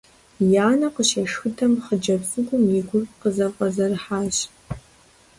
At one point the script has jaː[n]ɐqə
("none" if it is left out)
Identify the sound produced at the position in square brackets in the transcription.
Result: n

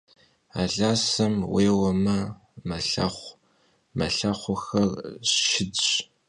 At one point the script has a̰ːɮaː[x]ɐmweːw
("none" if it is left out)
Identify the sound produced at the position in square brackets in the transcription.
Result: s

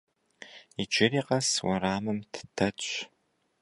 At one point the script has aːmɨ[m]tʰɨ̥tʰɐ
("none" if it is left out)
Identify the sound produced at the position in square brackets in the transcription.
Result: m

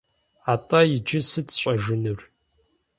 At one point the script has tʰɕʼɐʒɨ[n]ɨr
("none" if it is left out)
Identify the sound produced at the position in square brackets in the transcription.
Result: n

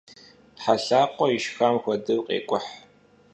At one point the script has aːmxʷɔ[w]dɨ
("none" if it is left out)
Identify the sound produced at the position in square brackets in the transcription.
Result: none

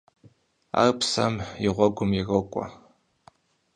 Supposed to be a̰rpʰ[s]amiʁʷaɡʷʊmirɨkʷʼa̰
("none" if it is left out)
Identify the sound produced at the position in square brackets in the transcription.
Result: s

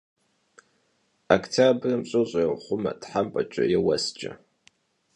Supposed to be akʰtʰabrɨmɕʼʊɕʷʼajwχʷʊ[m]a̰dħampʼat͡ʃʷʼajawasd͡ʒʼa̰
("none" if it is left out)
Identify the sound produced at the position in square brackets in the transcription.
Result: m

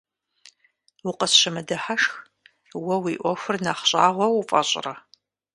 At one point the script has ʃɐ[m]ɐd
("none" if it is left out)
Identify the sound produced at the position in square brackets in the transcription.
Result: m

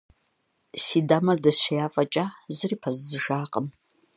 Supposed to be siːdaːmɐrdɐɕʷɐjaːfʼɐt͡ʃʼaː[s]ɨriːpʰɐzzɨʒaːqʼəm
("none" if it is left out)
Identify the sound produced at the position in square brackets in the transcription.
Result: z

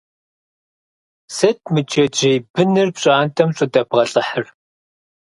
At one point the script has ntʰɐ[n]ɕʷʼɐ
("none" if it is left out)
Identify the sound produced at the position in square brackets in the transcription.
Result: m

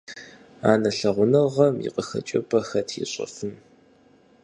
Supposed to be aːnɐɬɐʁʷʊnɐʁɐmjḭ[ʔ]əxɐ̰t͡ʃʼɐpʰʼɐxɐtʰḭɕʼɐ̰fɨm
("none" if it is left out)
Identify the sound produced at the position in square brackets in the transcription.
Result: q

